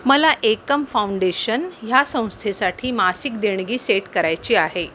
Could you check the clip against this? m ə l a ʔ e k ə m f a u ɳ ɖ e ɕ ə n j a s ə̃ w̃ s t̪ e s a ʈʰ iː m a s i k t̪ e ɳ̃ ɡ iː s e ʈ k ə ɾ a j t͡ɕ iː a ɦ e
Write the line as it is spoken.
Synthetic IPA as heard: m ə l a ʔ e k ə m f a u ɳ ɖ e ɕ ə n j a s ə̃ w̃ s t̪ʰ e s a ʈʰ iː m a s i k d̪ e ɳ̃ ɡ iː s e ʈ k ə ɾ a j t͡ɕ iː a ɦ e